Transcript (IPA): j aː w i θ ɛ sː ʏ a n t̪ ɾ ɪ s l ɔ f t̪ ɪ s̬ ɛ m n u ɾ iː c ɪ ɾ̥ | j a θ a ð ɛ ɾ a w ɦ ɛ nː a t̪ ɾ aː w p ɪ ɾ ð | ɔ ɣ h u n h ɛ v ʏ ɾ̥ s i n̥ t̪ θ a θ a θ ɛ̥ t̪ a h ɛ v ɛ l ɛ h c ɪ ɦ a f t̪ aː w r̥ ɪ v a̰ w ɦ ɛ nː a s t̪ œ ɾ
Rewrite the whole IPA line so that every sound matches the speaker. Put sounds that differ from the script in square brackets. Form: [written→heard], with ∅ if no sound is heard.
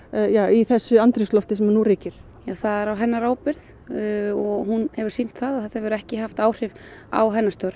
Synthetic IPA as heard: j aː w i θ ɛ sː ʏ a n t̪ ɾ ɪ s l ɔ f t̪ ɪ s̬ ɛ m n u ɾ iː c ɪ ɾ̥ | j a θ a ð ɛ ɾ a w ɦ ɛ nː a [t̪→∅] ɾ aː w p ɪ ɾ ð | ɔ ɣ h u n h ɛ v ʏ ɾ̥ s i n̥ t̪ θ a [θ→ð] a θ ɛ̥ t̪ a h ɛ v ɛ [l→ɾ] ɛ h c ɪ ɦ a f t̪ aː w r̥ ɪ v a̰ w ɦ ɛ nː a s t̪ œ ɾ